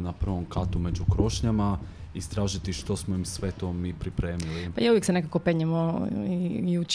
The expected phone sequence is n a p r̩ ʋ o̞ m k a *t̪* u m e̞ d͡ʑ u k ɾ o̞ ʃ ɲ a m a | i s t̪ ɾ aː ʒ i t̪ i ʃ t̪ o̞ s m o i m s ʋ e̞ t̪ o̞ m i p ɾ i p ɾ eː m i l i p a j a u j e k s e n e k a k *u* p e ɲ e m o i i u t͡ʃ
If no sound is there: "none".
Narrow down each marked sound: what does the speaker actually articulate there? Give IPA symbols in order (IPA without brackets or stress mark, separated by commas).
t̪, o